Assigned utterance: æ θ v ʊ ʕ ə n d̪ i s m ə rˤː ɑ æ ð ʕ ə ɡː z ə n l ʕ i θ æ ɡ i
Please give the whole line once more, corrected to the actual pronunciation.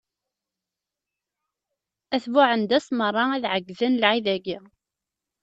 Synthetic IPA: æ θ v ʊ ʕ ə n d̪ æ s m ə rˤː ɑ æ ð ʕ ə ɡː ð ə n l ʕ i ð æ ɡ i

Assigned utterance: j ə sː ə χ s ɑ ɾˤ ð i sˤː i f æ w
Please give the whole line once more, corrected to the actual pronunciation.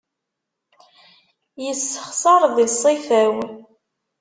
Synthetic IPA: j ə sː ə χ s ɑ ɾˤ ð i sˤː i f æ w

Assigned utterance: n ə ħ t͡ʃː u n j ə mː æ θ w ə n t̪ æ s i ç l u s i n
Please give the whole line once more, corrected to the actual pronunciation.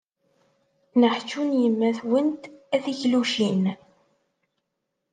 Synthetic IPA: n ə ħ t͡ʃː u n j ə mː æ θ w ə n t̪ æ θ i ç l u ʃ i n

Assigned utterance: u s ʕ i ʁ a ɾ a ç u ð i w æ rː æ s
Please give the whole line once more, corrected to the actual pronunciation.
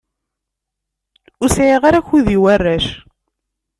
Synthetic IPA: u s ʕ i ʁ a ɾ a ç u ð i w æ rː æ ʃ

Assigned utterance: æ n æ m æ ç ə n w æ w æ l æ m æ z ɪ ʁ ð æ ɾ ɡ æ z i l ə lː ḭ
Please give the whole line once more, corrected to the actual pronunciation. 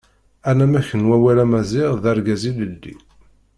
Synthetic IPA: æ n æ m æ ç ə n w æ w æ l æ m æ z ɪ ʁ ð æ ɾ ɡ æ z i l ə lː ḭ

